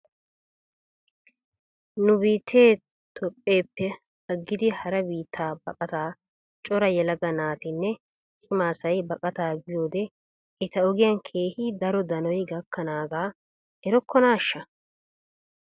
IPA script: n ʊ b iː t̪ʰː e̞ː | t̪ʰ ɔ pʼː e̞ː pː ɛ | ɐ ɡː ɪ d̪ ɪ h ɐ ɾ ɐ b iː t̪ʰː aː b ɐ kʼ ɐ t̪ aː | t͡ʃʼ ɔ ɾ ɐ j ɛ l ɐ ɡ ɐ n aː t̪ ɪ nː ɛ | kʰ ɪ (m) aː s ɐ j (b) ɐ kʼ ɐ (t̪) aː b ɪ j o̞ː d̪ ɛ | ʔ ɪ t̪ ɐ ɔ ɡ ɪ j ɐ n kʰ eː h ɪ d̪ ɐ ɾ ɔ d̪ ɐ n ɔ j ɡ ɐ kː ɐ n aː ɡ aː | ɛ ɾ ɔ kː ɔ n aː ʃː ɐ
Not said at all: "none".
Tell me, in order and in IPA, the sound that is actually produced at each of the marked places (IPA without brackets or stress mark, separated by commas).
m, b, t̪